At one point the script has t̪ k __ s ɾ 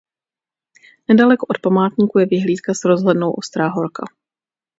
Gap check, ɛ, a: a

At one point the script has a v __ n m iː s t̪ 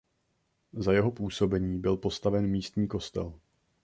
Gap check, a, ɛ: ɛ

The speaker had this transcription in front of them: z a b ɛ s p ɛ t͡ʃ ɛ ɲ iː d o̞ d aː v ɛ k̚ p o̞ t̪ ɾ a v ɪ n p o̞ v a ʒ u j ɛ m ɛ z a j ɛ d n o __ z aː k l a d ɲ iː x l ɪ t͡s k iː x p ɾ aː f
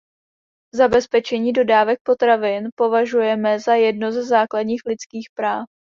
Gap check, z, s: z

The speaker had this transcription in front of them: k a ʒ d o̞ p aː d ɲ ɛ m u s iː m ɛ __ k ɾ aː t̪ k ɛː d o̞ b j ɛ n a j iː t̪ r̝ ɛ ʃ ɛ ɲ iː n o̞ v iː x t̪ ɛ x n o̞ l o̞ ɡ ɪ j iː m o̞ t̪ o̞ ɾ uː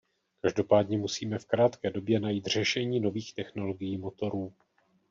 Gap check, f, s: f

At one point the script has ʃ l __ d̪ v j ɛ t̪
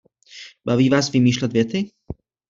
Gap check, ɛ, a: ɛ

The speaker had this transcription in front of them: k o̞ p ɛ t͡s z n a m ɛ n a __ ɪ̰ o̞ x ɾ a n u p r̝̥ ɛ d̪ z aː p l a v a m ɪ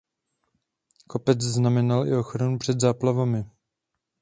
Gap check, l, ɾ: l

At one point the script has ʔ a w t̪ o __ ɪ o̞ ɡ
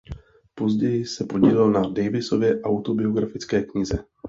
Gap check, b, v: b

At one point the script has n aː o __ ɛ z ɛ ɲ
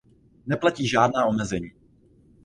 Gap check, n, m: m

